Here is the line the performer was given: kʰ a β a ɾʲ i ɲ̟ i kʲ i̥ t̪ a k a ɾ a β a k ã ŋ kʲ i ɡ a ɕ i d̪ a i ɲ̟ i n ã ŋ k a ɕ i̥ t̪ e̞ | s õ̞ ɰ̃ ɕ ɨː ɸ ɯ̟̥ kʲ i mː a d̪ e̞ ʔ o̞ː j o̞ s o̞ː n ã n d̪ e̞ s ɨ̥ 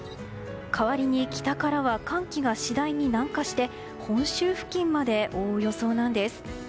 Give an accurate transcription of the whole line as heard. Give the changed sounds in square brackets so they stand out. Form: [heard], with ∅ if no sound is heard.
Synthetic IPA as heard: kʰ a β a ɾʲ i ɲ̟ i kʲ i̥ t̪ a k a ɾ a β a k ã ŋ kʲ i ɡ a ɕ i d̪ a i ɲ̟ i n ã ŋ k a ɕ i̥ t̪ e̞ | [h] õ̞ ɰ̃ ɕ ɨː ɸ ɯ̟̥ kʲ [ĩ] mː a d̪ e̞ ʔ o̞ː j o̞ s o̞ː n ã n d̪ e̞ s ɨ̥